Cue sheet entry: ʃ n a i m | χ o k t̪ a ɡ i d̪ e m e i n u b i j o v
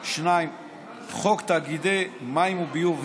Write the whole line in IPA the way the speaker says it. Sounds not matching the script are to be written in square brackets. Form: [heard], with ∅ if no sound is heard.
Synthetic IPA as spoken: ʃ n a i m | χ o k t̪ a ɡ i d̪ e m [a] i [m] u b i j [u] v